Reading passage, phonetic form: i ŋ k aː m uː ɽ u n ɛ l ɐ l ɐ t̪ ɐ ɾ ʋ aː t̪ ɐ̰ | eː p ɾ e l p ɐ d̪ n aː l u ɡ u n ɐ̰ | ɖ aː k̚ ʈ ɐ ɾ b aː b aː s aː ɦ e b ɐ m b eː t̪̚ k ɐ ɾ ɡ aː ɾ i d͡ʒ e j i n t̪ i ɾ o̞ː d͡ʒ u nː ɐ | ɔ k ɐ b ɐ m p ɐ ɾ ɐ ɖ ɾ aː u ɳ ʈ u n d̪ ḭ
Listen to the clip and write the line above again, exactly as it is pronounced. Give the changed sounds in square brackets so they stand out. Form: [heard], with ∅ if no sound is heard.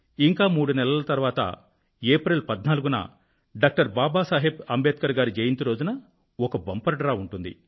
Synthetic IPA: i ŋ k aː m uː ɽ u n ɛ l ɐ l ɐ t̪ ɐ ɾ ʋ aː t̪ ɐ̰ | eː p ɾ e l p ɐ d̪ n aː l u ɡ u n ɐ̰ | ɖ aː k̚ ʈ ɐ ɾ b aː b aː s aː ɦ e b ɐ m b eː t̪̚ k ɐ ɾ ɡ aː ɾ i d͡ʒ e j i n t̪ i ɾ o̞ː d͡ʒ u [n] ɐ | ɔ k ɐ b ɐ m p ɐ ɾ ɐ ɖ ɾ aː u ɳ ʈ u n d̪ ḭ